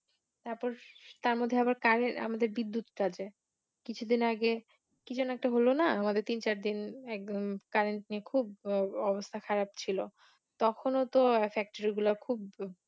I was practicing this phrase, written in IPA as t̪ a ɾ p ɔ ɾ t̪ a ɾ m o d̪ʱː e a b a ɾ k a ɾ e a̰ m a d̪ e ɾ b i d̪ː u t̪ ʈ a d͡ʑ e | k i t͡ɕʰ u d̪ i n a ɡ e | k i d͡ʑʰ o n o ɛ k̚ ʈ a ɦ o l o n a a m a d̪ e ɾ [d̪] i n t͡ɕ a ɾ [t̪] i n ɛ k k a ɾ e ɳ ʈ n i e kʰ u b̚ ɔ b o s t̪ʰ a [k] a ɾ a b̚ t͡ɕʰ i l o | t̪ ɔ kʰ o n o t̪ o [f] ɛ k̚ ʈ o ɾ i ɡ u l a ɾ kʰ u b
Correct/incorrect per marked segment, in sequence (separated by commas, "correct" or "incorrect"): incorrect, incorrect, incorrect, correct